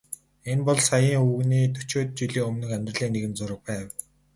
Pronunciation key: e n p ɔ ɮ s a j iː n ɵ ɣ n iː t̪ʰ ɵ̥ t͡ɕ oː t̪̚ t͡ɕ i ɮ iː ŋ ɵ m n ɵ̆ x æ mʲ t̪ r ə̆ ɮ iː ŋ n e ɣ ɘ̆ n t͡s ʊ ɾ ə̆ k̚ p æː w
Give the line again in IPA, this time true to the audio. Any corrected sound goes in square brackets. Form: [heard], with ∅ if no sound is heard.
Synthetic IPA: e n p ɔ ɮ s a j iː [ŋ] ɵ ɣ n iː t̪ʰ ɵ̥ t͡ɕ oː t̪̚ t͡ɕ i ɮ iː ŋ ɵ m n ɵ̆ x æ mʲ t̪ r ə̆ ɮ iː ŋ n e ɣ ɘ̆ n t͡s ʊ ɾ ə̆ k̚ p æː w